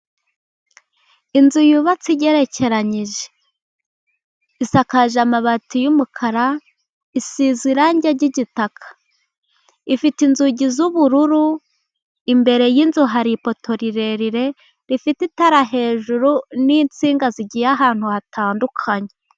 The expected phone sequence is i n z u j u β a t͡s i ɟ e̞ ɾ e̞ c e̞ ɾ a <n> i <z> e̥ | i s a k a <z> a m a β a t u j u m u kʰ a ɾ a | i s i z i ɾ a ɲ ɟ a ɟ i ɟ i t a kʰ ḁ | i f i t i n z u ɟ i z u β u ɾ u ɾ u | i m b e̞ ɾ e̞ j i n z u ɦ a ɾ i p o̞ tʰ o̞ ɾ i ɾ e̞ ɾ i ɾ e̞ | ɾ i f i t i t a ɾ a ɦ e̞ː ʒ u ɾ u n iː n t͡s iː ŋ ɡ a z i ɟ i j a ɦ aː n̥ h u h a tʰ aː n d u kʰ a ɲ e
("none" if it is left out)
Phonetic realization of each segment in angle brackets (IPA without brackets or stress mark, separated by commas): ɲ, ʒ, ʒ